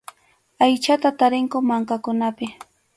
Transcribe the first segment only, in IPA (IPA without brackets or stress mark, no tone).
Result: a